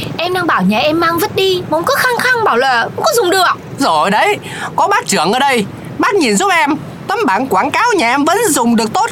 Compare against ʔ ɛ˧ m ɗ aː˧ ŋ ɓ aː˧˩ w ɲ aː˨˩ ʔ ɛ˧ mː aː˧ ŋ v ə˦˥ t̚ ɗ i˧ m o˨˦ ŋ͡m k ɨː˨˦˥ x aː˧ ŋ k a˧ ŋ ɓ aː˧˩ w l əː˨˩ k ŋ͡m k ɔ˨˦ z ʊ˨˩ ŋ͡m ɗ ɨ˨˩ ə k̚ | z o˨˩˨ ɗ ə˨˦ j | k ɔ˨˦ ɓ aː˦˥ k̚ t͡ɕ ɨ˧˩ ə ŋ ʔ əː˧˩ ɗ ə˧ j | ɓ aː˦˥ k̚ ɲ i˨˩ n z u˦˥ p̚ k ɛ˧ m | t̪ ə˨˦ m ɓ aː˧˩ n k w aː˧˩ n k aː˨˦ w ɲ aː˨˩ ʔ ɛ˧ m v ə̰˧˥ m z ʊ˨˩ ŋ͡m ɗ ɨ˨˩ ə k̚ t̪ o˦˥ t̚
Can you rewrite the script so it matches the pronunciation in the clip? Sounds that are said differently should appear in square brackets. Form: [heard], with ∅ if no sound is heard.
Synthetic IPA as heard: ʔ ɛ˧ m ɗ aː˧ ŋ ɓ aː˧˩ w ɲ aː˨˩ ʔ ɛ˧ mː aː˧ ŋ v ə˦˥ t̚ ɗ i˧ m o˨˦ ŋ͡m k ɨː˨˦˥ x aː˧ ŋ [x] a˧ ŋ ɓ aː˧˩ w l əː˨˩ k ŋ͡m k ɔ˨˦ z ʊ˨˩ ŋ͡m ɗ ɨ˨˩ ə k̚ | z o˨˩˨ ɗ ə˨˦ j | k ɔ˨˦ ɓ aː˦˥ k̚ t͡ɕ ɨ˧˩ ə ŋ ʔ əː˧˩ ɗ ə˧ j | ɓ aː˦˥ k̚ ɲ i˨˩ n z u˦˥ p̚ [ʔ] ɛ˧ m | t̪ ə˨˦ m ɓ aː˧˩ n k w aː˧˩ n k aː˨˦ w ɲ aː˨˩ ʔ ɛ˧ m v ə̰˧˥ [n] z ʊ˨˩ ŋ͡m ɗ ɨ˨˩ ə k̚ t̪ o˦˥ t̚